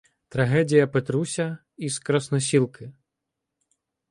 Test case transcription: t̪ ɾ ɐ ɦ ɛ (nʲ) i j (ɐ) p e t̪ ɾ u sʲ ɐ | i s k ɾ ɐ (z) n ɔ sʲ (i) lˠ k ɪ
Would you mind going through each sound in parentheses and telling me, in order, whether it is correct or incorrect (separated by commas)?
incorrect, correct, incorrect, correct